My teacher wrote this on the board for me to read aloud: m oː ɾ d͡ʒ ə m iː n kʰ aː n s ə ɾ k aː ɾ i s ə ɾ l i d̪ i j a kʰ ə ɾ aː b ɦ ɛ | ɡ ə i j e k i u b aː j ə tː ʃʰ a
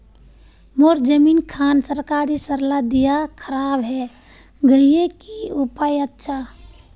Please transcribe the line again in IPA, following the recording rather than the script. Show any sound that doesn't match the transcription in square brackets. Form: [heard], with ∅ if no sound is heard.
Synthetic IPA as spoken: m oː ɾ d͡ʒ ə m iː n kʰ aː n s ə ɾ k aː ɾ i s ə ɾ l [a] d̪ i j a kʰ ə ɾ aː b ɦ ɛ | ɡ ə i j e k i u [p] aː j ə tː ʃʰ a